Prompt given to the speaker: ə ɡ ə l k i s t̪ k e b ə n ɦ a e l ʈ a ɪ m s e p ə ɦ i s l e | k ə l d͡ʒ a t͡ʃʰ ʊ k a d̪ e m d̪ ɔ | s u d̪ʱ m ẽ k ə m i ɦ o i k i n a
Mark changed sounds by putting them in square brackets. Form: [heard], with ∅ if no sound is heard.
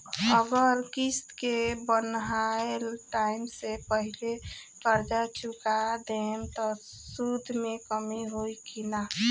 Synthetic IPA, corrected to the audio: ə ɡ ə [ɾ] k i s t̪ k e b ə n ɦ a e l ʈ a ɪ m s e p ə ɦ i [∅] l e | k ə [ɾ] d͡ʒ a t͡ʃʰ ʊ k a d̪ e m [t̪] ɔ | s u d̪ʱ m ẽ k ə m i ɦ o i k i n a